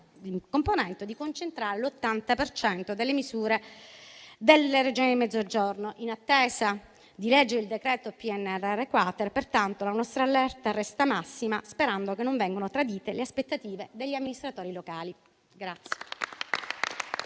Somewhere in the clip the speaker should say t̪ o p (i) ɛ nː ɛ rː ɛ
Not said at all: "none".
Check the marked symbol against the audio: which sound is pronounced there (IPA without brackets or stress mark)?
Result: i